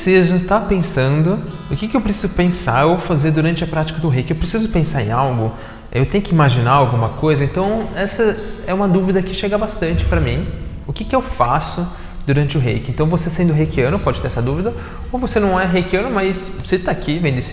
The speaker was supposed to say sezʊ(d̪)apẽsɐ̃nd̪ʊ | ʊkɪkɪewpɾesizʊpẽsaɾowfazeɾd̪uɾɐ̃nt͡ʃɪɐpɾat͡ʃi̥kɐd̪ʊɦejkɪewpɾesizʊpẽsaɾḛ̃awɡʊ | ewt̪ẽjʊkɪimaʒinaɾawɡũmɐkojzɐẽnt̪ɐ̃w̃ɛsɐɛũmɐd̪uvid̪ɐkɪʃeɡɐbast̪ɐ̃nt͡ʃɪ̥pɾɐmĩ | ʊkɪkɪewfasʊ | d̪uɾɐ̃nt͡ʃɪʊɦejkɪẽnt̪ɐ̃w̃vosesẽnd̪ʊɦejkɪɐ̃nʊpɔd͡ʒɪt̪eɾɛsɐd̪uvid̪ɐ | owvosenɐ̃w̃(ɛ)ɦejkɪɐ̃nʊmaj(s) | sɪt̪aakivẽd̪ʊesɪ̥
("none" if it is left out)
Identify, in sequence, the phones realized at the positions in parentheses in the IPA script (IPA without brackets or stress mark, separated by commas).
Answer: t̪, ɛ, s